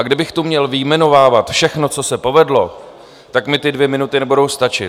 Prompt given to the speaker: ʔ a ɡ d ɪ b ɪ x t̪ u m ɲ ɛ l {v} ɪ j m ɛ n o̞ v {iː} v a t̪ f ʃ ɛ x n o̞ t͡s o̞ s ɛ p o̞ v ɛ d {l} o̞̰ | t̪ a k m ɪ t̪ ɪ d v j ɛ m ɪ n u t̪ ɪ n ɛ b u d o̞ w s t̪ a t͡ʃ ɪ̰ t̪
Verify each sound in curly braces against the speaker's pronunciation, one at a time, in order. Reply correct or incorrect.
correct, incorrect: aː, correct

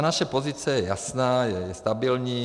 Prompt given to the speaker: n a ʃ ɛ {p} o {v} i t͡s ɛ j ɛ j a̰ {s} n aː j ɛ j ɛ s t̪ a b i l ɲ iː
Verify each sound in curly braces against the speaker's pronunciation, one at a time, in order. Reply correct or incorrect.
correct, incorrect: z, correct

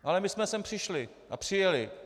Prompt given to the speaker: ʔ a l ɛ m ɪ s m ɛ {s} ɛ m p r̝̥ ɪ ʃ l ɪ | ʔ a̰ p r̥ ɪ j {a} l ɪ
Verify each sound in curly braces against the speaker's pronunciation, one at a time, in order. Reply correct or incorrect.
correct, incorrect: ɛ

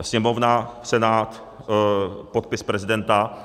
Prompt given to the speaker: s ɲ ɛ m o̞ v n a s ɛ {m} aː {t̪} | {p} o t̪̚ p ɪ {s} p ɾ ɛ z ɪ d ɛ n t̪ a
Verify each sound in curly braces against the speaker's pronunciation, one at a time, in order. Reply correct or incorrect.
incorrect: n, correct, correct, correct

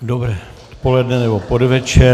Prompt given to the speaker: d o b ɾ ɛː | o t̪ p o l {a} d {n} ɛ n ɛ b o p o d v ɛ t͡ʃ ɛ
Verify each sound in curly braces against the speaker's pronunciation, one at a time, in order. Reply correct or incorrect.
incorrect: ɛ, correct

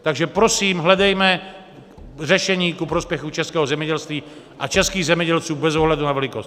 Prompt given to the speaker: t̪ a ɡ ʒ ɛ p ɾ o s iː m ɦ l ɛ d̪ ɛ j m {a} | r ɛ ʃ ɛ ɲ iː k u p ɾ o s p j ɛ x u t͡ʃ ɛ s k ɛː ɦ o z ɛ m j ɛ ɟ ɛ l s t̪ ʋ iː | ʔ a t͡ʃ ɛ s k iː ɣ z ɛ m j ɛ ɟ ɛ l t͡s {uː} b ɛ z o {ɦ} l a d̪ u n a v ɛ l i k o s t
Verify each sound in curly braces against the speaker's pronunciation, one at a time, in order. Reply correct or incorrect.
incorrect: ɛ, correct, correct

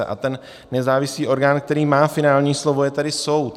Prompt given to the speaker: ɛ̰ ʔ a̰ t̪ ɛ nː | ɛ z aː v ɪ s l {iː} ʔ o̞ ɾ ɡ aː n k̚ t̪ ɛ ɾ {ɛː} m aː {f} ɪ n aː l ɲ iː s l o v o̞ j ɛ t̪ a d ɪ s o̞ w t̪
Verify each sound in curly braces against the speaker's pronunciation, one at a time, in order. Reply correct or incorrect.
correct, incorrect: iː, correct

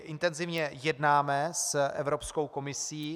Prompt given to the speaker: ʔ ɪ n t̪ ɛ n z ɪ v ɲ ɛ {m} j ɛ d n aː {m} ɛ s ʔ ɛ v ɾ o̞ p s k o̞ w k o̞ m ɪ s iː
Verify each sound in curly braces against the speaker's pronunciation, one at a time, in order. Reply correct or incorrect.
incorrect: none, correct

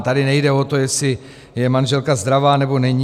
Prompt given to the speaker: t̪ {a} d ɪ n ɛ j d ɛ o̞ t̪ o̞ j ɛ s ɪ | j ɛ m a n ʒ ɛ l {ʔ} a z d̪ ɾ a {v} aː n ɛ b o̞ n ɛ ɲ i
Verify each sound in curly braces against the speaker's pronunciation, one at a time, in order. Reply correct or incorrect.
correct, incorrect: k, correct

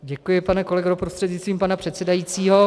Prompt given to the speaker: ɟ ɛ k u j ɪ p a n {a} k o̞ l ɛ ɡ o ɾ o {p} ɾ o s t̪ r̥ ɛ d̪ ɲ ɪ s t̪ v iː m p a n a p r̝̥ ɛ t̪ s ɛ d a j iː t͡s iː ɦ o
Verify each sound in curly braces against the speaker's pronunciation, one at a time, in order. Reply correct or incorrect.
incorrect: ɛ, correct

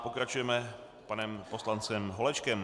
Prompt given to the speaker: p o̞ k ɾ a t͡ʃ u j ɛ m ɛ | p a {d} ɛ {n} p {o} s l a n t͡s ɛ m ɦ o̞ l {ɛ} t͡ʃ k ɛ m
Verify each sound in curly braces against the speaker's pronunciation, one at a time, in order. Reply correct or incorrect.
incorrect: n, incorrect: m, correct, correct

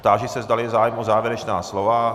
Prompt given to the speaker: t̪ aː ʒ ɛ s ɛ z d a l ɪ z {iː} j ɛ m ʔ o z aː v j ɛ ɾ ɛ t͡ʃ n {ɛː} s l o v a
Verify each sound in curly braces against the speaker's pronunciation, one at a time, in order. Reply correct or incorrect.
incorrect: aː, incorrect: aː

